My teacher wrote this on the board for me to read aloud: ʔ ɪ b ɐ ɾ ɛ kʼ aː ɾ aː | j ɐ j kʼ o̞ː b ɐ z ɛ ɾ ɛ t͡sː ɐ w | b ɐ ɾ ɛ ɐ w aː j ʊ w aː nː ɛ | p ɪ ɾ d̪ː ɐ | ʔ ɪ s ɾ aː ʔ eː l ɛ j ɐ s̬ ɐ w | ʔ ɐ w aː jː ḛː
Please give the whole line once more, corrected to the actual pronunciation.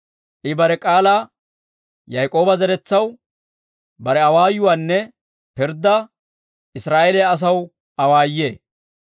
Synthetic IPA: ʔ ɪ b ɐ ɾ ɛ kʼ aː l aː | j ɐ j kʼ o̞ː b ɐ z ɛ ɾ ɛ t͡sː ɐ w | b ɐ ɾ ɛ ɐ w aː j ʊ w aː nː ɛ | p ɪ ɾ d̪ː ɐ | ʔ ɪ s ɾ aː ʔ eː l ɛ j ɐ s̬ ɐ w | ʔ ɐ w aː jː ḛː